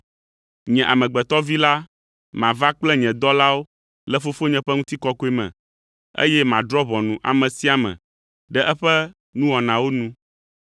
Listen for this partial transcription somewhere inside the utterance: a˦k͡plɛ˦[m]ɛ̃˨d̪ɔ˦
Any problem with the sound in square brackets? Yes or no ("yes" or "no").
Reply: yes